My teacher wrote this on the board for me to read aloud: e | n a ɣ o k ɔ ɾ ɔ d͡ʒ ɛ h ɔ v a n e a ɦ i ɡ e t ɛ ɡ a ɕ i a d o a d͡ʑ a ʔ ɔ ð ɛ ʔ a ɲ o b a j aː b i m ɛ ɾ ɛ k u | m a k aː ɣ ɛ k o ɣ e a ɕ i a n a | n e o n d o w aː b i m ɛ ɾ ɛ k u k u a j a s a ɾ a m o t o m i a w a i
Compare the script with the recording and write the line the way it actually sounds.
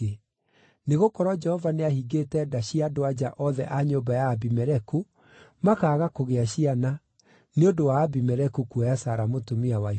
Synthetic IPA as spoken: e | n e ɣ o k ɔ ɾ ɔ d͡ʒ ɛ h ɔ v a n e a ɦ i ɡ e t ɛ d a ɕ i a d o a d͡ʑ a ʔ ɔ ð ɛ ʔ a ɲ o b a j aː b i m ɛ ɾ ɛ k u | m a k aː ɣ a k o ɣ e a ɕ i a n a | n e o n d o w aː b i m ɛ ɾ ɛ k u k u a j a s a ɾ a m o t o m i a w a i

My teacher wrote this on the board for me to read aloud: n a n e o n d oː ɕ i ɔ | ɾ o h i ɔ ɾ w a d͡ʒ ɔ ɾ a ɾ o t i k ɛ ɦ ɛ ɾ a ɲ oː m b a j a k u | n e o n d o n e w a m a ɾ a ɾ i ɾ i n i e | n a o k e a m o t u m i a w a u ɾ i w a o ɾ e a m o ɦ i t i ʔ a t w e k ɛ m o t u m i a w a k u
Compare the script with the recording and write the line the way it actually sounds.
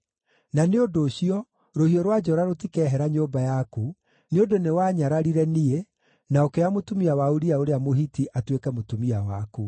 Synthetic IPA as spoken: n a n e o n d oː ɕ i ɔ | ɾ o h i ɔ ɾ w a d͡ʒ ɔ ɾ a ɾ o t i k ɛ ɦ ɛ ɾ a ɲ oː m b a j a k u | n e o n d o n e w a ɲ a ɾ a ɾ i ɾ ɛ n i e | n a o k e a m o t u m i a w a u ɾ i a o ɾ e a m o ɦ i t i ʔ a t w e k ɛ m o t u m i a w a k u

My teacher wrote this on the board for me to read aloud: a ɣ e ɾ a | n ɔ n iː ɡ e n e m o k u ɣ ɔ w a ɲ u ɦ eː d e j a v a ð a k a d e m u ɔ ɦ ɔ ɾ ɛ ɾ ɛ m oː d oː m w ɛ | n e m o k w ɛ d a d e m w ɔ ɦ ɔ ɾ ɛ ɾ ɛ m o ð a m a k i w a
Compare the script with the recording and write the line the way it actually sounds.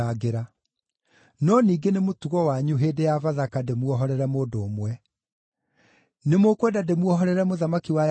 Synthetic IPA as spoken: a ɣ e ɾ a | n ɔ n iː ɡ e n e m o t u ɣ ɔ w a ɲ u ɦ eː d e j a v a ð a k a d e m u ɔ ɦ ɔ ɾ ɛ ɾ ɛ m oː d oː m w ɛ | n e m o k w ɛ d a d e m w ɔ ɦ ɔ ɾ ɛ ɾ ɛ m o ð a m a k i w a

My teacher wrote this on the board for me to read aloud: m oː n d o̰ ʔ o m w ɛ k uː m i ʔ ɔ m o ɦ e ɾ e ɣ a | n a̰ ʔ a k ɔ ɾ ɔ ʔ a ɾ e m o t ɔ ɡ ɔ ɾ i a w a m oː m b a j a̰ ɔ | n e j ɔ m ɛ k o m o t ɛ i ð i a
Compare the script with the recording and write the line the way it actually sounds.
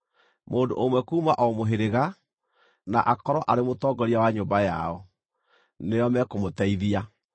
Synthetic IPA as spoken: m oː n d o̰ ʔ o m w ɛ k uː m a ʔ ɔ m o ɦ e ɾ e ɣ a | n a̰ ʔ a k ɔ ɾ ɔ ʔ a ɾ e m o t ɔ ɡ ɔ ɾ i a w a ɲ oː m b a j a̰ ɔ | n e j ɔ m ɛ k o m o t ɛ i ð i a

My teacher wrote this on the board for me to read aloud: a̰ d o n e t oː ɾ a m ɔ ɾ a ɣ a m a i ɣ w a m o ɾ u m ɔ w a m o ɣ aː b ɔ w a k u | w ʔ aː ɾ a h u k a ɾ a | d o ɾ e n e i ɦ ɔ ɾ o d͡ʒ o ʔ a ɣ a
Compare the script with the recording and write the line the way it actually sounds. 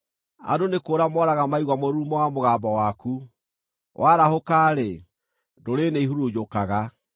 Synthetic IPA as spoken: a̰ d o n e k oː ɾ a m ɔ ɾ a ɣ a m a i ɣ w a m o ɾ u m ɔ w a m o ɣ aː b ɔ w a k u | w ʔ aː ɾ a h o k a ɾ e | d o ɾ e n e i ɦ u ɾ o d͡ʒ o k a ɣ a

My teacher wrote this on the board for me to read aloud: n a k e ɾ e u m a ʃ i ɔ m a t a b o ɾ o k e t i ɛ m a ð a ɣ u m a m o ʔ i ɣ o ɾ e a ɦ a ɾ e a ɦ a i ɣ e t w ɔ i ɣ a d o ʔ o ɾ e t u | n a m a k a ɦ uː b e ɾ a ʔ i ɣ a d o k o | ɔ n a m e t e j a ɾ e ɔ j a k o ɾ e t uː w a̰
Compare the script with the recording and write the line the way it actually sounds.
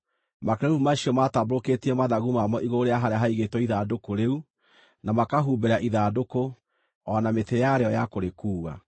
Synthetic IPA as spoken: m a k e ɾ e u m a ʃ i ɔ m a t a b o ɾ o k e t i ɛ m a ð a ɣ u m a m ɔ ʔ i ɣ o ɾ e a ɦ a ɾ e a ɦ a i ɣ e t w ɔ i ð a d o k o ɾ e u | n a m a k a ɦ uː b e ɾ a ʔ i ð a d o k o | ɔ n a m e t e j a ɾ e ɔ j a k o ɾ e k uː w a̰

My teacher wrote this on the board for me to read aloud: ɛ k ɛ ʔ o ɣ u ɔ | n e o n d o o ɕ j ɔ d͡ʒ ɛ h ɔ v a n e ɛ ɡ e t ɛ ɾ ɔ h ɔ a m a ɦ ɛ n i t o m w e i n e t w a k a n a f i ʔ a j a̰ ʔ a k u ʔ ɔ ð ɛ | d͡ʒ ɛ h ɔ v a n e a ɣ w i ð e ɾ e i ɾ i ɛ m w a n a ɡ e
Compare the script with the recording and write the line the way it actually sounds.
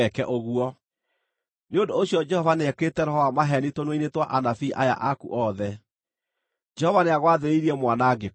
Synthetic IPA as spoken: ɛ k ɛ ʔ o ɣ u ɔ | n e o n d o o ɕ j ɔ d͡ʒ ɛ h ɔ v a n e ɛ k e t ɛ ɾ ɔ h ɔ a m a ɦ ɛ n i t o n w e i n e t w a ʔ a n a f i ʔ a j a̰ ʔ a k u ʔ ɔ ð ɛ | d͡ʒ ɛ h ɔ v a n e a ɣ w a ð e ɾ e i ɾ i ɛ m w a n a ɡ e

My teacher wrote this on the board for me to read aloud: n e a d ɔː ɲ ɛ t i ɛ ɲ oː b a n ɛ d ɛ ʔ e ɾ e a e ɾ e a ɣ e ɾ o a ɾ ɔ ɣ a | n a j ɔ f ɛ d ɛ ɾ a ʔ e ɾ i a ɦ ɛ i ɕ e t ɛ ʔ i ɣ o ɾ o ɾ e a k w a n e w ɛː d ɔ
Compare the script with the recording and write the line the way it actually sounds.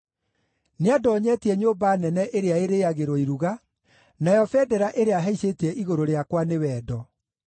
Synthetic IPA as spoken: n e a d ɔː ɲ ɛ t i ɛ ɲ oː b a n ɛ n ɛ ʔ e ɾ e a e ɾ e a ɣ e ɾ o i ɾ u ɣ a | n a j ɔ f ɛ d ɛ ɾ a ʔ e ɾ e a ɦ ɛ i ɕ e t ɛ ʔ i ɣ o ɾ o ɾ e a k w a n e w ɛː d ɔ

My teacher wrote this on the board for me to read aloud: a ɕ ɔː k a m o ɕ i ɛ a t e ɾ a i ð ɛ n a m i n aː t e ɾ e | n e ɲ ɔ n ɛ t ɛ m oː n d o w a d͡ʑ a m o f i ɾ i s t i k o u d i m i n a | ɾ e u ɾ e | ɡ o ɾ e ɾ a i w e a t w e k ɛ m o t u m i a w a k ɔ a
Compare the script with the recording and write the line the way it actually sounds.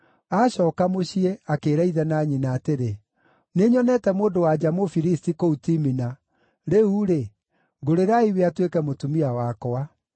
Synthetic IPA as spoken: a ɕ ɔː k a m o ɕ i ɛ a k e ɾ a i ð ɛ n a ɲ i n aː t e ɾ e | n e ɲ ɔ n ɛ t ɛ m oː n d o w a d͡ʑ a m o f i ɾ i s t i k o u t i m i n a | ɾ e u ɾ e | ɡ o ɾ e ɾ a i w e a t w e k ɛ m o t u m i a w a k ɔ a

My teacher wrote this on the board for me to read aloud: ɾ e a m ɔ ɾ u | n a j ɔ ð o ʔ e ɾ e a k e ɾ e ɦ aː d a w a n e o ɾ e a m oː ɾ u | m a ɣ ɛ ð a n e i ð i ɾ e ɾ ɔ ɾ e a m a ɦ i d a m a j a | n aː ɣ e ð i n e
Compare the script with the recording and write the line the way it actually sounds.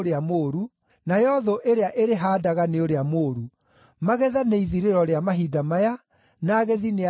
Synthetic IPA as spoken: ɾ e a m o ɾ u | n a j ɔ ð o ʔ e ɾ e a ʔ e ɾ e ɦ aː d a ɣ a n e o ɾ e a m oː ɾ u | m a ɣ ɛ ð a n e i ð i ɾ e ɾ ɔ ɾ e a m a ɦ i d a m a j a | n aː ɣ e ð i n e

